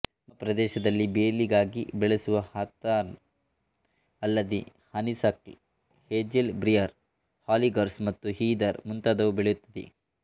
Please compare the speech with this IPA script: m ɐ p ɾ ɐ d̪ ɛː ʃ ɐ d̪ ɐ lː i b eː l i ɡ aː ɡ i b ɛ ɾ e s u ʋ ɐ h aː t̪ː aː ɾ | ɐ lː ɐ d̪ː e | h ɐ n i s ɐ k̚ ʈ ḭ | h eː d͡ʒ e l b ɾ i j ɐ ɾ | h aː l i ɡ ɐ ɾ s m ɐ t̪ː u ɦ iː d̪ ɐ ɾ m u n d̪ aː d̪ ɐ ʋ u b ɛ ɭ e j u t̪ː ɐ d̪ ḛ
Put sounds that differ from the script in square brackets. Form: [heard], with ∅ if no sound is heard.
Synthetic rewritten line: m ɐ p ɾ ɐ d̪ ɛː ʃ ɐ d̪ ɐ lː i b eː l i ɡ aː ɡ i b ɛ [ɭ] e s u ʋ ɐ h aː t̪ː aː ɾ | ɐ lː ɐ [d̪] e | h ɐ n i s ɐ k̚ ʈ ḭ | h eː d͡ʒ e l b ɾ i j ɐ ɾ | h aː l i ɡ ɐ ɾ s m ɐ t̪ː u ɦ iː d̪ ɐ ɾ m u n [t̪] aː d̪ ɐ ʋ u b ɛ ɭ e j u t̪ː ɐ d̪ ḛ

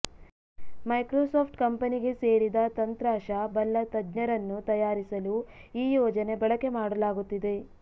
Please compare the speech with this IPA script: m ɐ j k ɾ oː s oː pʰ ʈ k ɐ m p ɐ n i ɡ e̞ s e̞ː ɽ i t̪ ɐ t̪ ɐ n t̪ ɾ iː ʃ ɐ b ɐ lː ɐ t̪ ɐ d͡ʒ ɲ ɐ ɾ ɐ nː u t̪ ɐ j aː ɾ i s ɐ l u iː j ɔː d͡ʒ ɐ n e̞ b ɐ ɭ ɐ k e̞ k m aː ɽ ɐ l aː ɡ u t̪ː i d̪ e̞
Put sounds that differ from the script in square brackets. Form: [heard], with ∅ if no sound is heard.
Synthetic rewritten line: m ɐ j k ɾ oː s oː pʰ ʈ k ɐ m p ɐ n i ɡ e̞ s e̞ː ɽ i [d̪] ɐ t̪ ɐ n t̪ ɾ [aː] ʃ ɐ b ɐ lː ɐ t̪ ɐ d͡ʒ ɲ ɐ ɾ ɐ nː u t̪ ɐ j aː ɾ i s ɐ l u iː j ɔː d͡ʒ ɐ n e̞ b ɐ ɭ ɐ k e̞ [∅] m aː ɽ ɐ l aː ɡ u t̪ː i d̪ e̞

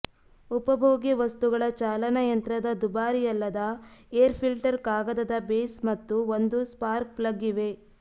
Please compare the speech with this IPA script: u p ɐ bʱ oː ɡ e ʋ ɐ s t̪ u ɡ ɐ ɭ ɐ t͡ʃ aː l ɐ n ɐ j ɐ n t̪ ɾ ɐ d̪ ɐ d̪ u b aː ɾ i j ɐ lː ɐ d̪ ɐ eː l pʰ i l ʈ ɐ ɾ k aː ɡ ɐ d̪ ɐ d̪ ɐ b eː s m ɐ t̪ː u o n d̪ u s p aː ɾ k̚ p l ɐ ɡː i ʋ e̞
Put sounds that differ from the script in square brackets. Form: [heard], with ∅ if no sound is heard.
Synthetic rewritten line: u p ɐ bʱ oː ɡ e ʋ ɐ s t̪ u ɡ ɐ ɭ ɐ t͡ʃ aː l ɐ n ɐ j ɐ n t̪ ɾ ɐ d̪ ɐ d̪ u b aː ɾ i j ɐ lː ɐ d̪ ɐ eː [ɾ] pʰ i l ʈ ɐ ɾ k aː ɡ ɐ d̪ ɐ d̪ ɐ b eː s m ɐ t̪ː u o n d̪ u s p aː ɾ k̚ p l ɐ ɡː i ʋ e̞

